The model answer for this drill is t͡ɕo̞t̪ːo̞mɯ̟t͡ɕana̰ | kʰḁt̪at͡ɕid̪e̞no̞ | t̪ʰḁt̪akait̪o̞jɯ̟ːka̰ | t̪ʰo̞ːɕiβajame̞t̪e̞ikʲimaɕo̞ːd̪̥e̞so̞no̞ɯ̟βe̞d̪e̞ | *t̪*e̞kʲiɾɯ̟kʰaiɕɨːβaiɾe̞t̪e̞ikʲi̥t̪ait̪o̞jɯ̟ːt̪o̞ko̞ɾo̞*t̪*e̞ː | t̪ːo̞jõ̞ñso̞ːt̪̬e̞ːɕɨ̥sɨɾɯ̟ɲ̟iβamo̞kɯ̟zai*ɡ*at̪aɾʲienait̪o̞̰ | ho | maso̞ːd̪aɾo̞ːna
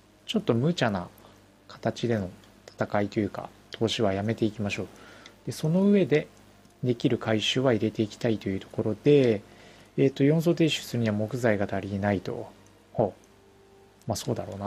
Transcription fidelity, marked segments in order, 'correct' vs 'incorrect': incorrect, incorrect, correct

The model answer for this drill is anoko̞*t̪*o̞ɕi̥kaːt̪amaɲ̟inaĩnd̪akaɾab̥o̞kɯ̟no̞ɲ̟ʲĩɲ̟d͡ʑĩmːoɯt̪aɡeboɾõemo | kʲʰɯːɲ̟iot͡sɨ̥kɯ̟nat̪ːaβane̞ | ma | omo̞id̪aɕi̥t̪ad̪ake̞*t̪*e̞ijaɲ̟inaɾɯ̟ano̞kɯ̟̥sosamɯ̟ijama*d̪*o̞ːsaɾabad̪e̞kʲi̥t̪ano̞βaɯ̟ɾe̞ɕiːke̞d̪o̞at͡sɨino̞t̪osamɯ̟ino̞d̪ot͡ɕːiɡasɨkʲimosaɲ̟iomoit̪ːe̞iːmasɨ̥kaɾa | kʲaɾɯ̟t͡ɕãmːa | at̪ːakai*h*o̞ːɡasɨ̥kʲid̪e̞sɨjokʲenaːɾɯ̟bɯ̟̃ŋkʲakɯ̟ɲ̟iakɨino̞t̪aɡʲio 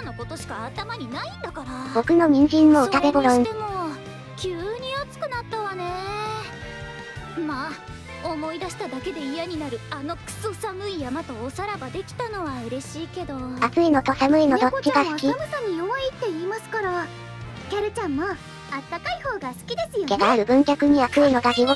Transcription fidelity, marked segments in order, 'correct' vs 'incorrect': correct, incorrect, incorrect, correct

